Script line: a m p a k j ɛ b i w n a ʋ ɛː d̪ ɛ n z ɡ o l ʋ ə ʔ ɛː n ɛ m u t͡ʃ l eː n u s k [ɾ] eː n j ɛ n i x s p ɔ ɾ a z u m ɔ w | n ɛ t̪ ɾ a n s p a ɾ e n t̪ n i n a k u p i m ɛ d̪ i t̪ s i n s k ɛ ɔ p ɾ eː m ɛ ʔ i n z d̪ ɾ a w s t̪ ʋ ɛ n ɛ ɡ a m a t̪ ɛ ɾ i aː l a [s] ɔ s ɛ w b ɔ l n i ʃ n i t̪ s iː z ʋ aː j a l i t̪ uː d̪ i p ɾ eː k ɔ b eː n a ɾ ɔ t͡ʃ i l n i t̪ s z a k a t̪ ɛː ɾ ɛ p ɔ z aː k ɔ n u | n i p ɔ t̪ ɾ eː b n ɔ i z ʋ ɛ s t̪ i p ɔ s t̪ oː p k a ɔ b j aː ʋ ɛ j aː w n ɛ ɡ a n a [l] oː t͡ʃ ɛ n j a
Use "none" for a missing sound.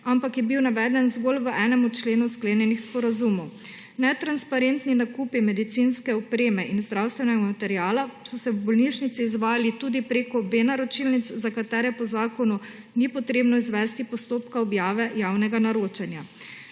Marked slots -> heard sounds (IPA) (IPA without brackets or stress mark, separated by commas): l, s, ɾ